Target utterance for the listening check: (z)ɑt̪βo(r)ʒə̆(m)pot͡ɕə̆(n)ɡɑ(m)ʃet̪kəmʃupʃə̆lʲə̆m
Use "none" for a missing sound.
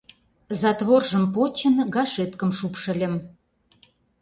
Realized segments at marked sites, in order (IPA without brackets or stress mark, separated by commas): z, r, m, n, none